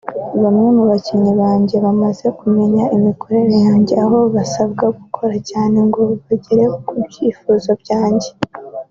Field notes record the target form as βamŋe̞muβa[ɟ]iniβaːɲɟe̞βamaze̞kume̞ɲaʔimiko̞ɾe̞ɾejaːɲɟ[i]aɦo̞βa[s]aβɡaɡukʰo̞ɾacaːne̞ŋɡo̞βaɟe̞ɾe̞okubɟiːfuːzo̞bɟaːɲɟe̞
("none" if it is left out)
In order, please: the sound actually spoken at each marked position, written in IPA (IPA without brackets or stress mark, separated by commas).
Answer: c, e, s